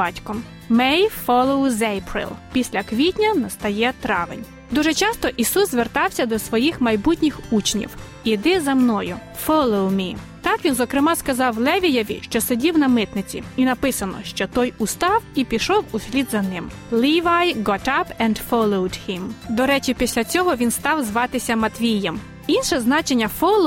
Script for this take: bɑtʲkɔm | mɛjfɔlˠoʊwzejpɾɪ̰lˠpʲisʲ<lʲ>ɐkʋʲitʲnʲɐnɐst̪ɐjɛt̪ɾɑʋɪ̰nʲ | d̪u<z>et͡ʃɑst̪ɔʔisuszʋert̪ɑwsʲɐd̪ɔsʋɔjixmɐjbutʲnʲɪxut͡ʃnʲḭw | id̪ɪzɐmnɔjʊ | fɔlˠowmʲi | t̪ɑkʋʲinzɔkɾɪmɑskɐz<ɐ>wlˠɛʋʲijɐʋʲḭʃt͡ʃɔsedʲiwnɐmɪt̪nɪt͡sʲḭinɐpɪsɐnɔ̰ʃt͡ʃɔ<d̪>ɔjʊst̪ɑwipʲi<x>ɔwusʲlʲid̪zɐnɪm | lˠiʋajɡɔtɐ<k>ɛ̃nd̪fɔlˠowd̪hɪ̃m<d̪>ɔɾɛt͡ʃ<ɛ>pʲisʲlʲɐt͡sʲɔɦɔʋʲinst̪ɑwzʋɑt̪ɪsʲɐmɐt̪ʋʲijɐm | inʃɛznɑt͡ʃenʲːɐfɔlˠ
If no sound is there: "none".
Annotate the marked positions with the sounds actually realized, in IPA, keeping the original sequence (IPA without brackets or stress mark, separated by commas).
lʲ, ʒ, ɑ, t̪, ʃ, p, d̪, i